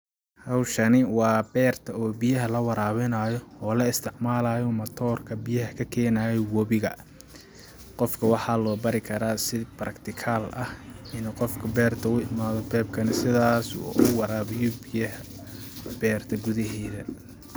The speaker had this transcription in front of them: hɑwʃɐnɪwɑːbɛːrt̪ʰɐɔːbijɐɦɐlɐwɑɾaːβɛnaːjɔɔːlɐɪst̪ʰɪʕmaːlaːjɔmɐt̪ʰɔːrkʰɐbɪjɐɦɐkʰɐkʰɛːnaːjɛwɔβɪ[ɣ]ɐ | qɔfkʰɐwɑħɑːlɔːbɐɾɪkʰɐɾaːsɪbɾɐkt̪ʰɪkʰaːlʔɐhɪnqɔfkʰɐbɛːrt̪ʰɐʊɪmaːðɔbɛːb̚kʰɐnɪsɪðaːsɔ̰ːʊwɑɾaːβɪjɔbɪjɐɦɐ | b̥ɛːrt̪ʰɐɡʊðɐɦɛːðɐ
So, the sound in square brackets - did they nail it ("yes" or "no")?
yes